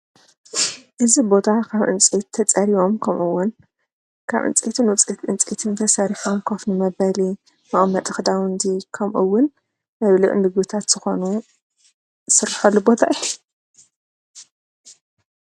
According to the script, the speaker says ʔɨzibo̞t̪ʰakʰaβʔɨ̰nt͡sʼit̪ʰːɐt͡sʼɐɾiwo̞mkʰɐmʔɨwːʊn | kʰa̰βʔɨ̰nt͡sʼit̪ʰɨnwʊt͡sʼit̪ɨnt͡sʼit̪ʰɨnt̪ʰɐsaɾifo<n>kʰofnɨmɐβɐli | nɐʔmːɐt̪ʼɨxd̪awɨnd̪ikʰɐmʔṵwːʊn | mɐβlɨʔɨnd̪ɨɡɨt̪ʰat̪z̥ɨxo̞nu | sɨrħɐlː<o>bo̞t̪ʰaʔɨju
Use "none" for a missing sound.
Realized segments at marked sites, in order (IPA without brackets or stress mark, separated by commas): m, u